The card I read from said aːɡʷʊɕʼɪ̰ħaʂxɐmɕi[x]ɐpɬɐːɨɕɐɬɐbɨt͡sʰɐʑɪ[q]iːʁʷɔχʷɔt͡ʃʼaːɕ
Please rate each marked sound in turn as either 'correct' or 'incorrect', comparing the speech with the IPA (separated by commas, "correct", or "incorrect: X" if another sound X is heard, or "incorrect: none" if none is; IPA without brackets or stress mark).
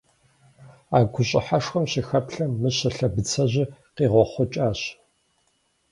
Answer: correct, correct